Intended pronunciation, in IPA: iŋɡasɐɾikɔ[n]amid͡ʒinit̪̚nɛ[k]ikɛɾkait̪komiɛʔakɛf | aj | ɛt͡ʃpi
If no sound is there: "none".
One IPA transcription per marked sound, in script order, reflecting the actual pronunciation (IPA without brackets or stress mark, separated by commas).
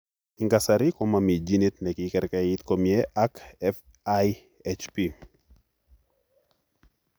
m, k